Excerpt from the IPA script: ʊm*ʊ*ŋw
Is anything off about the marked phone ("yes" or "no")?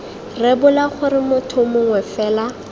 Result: no